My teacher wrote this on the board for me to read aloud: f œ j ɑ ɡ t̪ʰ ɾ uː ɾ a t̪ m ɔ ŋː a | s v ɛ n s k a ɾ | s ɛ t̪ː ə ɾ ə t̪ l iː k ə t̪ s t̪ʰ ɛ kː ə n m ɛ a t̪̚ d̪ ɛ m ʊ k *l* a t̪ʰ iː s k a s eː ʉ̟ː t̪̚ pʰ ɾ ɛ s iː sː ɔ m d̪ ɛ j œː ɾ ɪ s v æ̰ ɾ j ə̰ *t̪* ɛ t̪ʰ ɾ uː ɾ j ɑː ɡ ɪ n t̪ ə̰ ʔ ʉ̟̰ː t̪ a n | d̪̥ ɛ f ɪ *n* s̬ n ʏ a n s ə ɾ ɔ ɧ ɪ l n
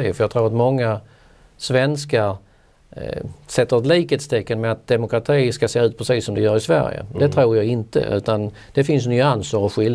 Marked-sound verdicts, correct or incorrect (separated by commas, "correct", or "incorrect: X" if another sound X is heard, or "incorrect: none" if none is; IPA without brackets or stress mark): incorrect: ɾ, incorrect: d̪, correct